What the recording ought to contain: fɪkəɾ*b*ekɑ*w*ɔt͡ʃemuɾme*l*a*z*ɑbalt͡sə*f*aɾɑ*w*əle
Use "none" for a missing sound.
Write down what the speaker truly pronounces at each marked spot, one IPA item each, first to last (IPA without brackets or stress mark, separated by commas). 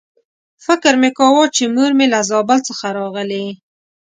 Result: m, w, l, z, x, ɣ